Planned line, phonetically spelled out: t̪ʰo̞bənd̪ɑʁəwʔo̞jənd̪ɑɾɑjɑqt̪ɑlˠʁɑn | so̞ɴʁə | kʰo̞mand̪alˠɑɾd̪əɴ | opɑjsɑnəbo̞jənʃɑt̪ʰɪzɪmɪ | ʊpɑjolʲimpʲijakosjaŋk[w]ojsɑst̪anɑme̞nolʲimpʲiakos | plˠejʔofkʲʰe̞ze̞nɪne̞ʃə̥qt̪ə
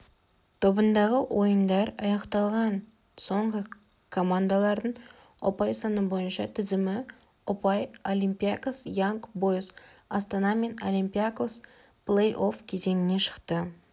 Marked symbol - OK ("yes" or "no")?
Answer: no